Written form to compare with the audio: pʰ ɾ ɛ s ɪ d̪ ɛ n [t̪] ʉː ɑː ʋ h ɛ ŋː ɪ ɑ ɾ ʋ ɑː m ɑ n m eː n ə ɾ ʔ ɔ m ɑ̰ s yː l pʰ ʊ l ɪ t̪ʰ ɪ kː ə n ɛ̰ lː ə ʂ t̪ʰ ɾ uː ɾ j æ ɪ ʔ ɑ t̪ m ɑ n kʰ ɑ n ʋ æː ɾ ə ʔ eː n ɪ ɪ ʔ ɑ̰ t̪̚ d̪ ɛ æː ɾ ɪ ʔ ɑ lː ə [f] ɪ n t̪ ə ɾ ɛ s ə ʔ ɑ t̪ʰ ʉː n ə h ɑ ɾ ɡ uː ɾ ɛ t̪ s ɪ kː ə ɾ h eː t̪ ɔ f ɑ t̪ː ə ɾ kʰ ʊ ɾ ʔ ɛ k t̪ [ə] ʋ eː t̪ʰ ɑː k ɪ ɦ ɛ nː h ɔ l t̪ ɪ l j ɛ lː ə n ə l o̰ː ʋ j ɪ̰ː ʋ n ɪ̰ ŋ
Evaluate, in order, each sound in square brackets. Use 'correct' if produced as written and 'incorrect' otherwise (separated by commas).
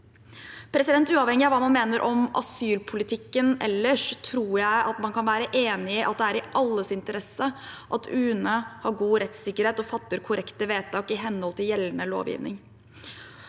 correct, incorrect, correct